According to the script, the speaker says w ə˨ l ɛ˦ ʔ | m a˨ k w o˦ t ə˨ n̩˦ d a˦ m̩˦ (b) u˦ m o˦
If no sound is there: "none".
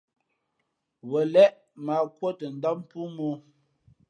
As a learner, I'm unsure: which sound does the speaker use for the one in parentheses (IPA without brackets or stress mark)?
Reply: p